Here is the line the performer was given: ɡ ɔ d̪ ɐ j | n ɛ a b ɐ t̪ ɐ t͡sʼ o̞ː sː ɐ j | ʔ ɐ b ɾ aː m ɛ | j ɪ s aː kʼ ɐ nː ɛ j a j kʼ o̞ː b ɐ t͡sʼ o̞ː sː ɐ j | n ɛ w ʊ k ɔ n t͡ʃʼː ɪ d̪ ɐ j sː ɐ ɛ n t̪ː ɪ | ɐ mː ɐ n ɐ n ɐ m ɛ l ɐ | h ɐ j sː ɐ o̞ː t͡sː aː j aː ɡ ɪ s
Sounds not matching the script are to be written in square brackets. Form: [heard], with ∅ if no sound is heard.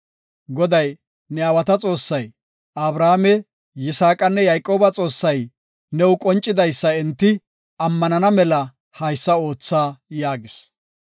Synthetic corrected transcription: ɡ ɔ d̪ ɐ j | n ɛ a [w] ɐ t̪ ɐ t͡sʼ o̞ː sː ɐ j | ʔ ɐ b ɾ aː m ɛ | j ɪ s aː kʼ ɐ nː ɛ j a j kʼ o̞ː b ɐ t͡sʼ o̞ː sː ɐ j | n ɛ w ʊ [kʼ] ɔ n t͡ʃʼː ɪ d̪ ɐ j sː ɐ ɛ n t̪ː ɪ | ɐ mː ɐ n ɐ n ɐ m ɛ l ɐ | h ɐ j sː ɐ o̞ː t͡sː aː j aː ɡ ɪ s